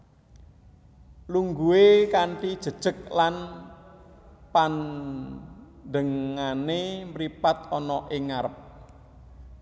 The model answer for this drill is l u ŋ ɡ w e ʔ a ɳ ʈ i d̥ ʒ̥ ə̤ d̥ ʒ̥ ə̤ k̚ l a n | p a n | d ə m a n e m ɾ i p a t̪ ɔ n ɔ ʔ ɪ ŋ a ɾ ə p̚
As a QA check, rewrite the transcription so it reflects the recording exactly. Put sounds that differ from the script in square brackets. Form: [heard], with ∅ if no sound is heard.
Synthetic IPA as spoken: l u ŋ ɡ [u] e [k] a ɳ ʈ i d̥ ʒ̥ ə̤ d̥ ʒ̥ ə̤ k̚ l a n | p a n | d ə [ŋ] a n e m ɾ i p a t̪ ɔ n ɔ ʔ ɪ ŋ a ɾ ə p̚